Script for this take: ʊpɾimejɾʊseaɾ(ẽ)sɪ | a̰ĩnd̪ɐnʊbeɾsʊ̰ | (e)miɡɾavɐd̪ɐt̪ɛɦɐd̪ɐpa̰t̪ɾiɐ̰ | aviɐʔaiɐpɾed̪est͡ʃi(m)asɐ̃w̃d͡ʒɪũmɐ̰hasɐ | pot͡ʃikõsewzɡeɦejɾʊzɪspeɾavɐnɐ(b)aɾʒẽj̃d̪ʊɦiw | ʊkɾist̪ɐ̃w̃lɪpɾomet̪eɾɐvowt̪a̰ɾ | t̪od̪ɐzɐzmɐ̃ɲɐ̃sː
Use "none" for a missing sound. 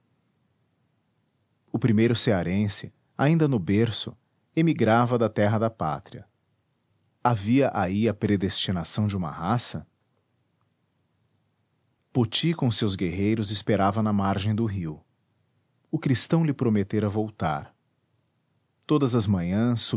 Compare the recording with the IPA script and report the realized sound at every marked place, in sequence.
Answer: ẽ, e, n, m

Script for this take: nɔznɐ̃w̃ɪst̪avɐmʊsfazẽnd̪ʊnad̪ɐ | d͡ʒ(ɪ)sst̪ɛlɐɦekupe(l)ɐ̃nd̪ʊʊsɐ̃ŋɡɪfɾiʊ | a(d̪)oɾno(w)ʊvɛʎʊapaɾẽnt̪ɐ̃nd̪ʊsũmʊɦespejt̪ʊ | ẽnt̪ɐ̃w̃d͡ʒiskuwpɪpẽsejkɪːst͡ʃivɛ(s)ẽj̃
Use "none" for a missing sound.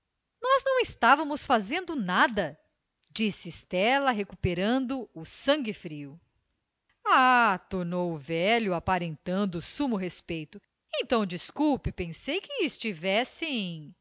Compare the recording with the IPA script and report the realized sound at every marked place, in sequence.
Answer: i, ɾ, t̪, w, s

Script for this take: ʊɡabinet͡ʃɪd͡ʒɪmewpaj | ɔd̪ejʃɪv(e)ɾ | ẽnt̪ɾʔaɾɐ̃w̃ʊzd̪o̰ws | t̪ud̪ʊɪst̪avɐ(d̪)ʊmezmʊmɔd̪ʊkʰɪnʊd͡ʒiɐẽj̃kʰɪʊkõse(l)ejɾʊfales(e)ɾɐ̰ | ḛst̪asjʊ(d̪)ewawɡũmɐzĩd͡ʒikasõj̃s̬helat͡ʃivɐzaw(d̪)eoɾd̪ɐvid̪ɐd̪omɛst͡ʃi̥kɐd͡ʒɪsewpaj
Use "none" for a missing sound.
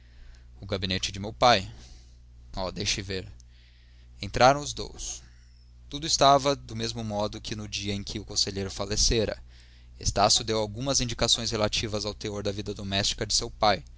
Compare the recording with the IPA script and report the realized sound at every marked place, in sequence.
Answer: e, d̪, ʎ, e, d̪, t̪

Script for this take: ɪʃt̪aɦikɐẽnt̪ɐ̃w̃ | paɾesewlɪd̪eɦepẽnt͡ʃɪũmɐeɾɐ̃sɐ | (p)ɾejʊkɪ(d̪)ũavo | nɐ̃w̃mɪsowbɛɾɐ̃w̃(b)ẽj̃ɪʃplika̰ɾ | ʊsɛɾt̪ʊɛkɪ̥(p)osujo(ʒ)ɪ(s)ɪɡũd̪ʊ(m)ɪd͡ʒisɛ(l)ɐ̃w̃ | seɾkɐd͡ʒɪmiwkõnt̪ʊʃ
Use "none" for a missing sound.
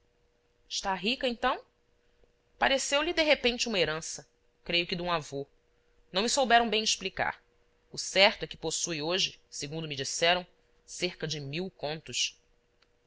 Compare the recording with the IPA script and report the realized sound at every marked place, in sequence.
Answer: k, d̪, b, p, ʒ, s, m, ɾ

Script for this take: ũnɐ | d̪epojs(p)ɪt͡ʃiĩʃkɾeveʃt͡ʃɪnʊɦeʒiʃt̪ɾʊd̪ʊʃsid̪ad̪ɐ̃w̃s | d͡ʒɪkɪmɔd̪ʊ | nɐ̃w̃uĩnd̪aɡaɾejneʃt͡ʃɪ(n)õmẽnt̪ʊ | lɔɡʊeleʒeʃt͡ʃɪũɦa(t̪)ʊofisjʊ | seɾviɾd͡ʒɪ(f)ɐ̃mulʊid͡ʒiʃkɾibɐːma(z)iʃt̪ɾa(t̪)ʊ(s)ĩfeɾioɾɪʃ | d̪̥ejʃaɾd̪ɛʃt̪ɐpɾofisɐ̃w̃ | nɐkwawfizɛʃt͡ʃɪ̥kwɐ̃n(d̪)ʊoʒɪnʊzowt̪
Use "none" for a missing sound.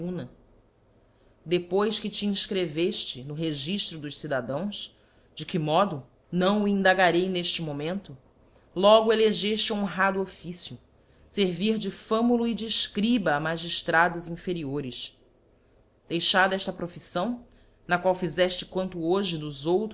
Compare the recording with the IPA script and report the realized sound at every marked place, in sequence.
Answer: k, m, d̪, f, ʒ, d̪, z, t̪

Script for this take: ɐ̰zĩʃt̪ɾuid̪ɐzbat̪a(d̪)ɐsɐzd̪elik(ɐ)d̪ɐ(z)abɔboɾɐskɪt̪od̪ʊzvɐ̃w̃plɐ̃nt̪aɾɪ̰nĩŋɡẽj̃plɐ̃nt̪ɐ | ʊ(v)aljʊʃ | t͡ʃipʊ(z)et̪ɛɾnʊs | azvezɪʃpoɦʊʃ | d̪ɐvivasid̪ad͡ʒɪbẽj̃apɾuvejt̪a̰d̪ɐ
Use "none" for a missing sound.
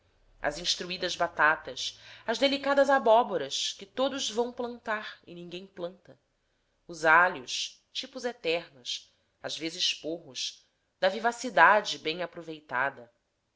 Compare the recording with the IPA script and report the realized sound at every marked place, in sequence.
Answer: t̪, a, z, z, z

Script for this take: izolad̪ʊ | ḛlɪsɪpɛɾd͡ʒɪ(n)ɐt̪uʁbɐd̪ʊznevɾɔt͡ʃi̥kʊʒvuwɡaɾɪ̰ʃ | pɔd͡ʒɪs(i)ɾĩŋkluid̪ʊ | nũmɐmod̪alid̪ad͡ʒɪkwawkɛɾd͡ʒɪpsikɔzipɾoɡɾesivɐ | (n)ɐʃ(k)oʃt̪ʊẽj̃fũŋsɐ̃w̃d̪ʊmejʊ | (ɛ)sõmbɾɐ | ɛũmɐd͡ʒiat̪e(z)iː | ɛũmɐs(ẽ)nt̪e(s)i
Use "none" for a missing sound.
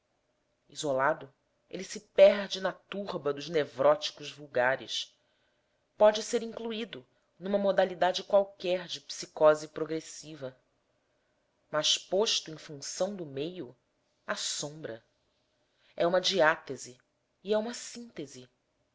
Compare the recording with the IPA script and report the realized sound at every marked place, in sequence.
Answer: n, e, m, p, a, z, ĩ, z

